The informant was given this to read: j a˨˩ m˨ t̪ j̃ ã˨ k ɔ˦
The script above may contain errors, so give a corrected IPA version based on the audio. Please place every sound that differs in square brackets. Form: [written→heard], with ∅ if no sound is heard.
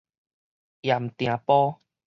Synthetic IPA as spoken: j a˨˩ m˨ t̪ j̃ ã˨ [k→p] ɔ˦